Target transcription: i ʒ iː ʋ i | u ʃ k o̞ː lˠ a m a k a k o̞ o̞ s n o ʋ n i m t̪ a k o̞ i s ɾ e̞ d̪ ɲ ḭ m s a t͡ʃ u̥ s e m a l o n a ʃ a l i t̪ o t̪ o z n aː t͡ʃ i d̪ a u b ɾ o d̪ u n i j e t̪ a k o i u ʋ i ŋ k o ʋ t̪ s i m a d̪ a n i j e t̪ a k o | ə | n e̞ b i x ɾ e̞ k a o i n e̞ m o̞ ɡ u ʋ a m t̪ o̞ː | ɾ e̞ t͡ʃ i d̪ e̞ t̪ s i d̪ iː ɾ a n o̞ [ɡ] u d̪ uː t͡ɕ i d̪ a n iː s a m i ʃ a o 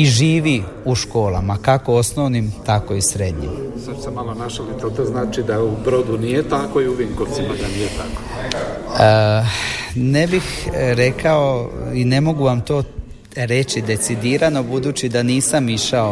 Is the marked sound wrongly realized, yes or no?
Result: yes